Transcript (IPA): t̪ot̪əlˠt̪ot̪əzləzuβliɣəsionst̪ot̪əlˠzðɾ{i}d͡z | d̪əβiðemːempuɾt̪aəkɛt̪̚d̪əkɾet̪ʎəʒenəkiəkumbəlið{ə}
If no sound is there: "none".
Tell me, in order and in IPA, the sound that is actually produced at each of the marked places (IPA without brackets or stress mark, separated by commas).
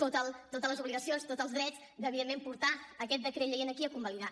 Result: ɛ, a